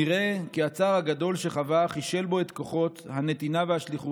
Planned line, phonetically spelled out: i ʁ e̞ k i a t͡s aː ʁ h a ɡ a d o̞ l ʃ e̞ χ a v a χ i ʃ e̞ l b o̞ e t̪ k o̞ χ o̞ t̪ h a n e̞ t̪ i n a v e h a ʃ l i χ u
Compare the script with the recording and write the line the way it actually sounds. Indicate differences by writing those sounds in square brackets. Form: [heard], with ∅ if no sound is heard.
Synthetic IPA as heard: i ʁ e̞ k i a t͡s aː ʁ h a ɡ a d o̞ l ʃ e̞ χ a v a χ i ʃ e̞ l b o̞ e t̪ k o̞ χ o̞ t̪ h a n e̞ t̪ i n a v e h a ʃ l i χ u